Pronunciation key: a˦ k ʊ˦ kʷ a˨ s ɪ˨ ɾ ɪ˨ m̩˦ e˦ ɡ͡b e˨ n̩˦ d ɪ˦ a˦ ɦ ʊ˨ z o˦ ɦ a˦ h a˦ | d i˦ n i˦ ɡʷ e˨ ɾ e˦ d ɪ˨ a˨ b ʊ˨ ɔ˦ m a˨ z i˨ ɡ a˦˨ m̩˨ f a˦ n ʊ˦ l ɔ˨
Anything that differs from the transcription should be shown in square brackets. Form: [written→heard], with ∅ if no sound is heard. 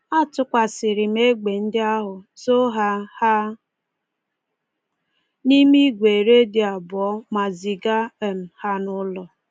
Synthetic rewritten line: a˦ [k→t] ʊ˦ kʷ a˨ s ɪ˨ ɾ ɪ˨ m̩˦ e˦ ɡ͡b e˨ n̩˦ d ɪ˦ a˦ ɦ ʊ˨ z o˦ ɦ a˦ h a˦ | [d→n] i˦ [n→m] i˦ ɡʷ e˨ ɾ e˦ d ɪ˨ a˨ b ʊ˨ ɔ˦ m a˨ z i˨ ɡ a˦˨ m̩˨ [f→h] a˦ n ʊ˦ l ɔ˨